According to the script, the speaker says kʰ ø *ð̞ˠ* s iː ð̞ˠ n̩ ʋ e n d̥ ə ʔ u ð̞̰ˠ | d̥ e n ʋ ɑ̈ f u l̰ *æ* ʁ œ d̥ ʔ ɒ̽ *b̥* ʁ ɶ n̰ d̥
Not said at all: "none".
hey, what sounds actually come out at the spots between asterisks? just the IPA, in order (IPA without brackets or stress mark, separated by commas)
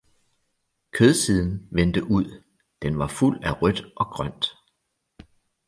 ð̞ˠ, æ, ɡ̥